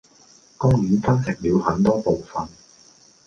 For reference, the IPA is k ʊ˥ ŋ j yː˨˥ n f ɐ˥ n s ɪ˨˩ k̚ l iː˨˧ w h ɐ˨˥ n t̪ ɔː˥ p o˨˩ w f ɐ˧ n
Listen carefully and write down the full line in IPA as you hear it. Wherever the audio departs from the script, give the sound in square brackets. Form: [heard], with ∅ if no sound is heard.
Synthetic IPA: k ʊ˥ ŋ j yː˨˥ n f ɐ˥ n s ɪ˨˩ k̚ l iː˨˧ w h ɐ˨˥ n t̪ ɔː˥ p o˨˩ w f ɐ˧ n